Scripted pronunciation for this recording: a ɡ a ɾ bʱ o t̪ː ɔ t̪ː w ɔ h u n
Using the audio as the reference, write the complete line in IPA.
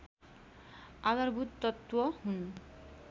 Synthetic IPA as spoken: a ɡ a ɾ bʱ u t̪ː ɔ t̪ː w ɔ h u n